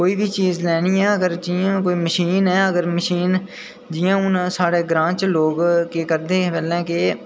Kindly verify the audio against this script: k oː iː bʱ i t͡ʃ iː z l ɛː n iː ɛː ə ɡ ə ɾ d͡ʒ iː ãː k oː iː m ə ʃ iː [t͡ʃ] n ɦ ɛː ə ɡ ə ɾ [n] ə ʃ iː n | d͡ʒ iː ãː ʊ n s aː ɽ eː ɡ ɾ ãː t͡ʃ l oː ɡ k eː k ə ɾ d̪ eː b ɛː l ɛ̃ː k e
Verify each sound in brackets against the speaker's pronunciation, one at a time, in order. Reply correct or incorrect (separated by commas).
incorrect, incorrect